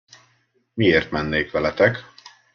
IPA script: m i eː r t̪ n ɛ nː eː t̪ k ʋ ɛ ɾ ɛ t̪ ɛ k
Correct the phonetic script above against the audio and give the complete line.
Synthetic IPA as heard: m i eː r t̪ m ɛ nː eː k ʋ ɛ l ɛ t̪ ɛ k